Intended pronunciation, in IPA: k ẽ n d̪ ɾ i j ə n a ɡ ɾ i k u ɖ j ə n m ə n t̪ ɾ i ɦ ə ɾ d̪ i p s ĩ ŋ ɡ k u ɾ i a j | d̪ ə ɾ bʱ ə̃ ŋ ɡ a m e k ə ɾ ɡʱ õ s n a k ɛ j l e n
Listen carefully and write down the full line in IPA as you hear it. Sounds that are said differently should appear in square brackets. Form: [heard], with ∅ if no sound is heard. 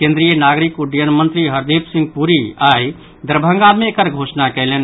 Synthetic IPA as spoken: k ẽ n d̪ ɾ i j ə n a ɡ ɾ i k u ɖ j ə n m ə n t̪ ɾ i ɦ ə ɾ d̪ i p s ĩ ŋ ɡ [p] u ɾ i a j | d̪ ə ɾ bʱ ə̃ ŋ ɡ a m e k ə ɾ ɡʱ [o] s n a k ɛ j l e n